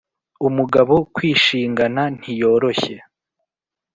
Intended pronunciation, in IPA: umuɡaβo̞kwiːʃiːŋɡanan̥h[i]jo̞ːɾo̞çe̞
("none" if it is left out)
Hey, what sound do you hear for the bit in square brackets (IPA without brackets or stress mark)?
i